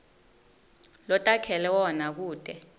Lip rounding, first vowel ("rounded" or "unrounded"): rounded